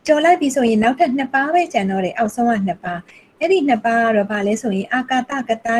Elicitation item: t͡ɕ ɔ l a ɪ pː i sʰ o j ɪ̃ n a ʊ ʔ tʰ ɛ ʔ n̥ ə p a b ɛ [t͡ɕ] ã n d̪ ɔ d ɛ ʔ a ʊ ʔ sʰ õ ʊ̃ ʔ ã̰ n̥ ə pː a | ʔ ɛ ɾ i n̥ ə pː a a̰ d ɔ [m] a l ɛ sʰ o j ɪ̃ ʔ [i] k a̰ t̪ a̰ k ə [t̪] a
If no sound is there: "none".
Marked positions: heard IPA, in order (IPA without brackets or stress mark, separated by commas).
t͡ɕ, b, a, t̪